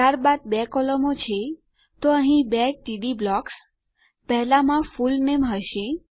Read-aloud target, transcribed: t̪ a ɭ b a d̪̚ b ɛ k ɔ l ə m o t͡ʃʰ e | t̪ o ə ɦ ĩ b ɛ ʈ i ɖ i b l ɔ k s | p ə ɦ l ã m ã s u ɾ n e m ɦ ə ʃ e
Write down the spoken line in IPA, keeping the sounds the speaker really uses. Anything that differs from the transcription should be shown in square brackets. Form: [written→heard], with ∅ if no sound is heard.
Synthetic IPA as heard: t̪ a [ɭ→ɾ] b a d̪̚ b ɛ k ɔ l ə m o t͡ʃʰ e | t̪ o ə ɦ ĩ b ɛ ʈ i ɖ i b l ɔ k s | p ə ɦ l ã m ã [s→f] u [ɾ→l] n e m ɦ ə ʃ e